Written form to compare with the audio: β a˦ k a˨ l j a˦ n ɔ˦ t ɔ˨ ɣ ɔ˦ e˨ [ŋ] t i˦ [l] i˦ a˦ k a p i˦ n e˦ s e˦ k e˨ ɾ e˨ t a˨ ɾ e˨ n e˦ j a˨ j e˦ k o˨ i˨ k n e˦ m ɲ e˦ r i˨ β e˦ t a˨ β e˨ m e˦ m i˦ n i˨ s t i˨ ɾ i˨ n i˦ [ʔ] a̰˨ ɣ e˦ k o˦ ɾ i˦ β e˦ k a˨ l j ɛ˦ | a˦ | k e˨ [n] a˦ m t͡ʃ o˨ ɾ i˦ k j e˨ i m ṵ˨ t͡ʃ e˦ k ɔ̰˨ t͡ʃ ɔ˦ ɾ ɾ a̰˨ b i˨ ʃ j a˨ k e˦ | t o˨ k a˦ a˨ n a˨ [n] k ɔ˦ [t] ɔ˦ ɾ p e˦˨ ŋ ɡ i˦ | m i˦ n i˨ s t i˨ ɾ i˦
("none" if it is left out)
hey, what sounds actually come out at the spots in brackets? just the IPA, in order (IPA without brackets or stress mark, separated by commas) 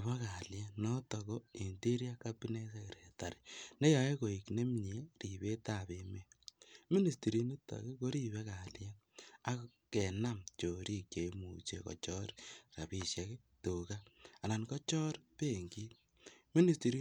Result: n, ɾ, t, n, n, t͡ʃ